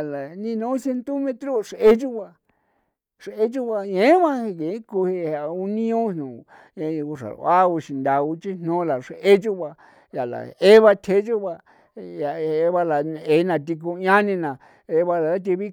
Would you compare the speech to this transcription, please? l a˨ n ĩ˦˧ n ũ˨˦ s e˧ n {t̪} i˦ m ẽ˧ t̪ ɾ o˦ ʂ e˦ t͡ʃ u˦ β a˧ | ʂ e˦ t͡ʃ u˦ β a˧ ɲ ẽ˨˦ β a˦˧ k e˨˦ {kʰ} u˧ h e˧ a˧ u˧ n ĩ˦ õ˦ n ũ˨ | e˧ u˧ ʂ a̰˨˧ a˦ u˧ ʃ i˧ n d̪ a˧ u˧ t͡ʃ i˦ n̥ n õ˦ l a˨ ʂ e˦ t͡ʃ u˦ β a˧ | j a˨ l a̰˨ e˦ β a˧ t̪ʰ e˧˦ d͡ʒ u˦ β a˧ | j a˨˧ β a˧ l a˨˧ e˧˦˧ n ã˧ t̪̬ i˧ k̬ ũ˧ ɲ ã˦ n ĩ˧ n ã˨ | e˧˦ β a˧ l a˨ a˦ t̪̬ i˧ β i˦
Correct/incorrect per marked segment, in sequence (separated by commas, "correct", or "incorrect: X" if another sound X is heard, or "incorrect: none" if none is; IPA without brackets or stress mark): correct, incorrect: k